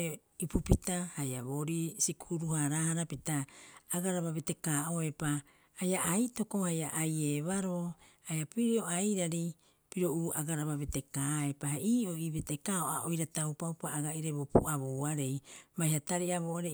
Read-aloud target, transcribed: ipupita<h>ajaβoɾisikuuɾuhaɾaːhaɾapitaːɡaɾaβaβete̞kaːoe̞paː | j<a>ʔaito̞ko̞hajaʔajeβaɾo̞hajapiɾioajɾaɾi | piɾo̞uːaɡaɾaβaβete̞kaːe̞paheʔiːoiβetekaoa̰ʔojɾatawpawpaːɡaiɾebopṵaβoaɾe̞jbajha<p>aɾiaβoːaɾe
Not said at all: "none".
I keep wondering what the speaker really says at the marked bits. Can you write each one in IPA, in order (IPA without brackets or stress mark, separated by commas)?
h, a, t